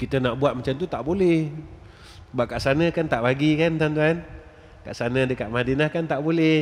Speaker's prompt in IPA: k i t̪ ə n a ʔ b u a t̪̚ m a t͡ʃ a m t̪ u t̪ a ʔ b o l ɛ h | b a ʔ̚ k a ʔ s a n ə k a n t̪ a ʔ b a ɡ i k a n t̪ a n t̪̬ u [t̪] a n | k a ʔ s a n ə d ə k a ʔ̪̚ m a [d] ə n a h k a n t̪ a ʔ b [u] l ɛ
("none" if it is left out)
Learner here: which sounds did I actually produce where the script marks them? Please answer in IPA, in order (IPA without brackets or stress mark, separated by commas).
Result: none, d, o